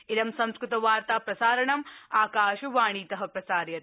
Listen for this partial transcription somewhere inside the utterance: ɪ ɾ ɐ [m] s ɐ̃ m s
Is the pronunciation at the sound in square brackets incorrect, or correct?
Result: correct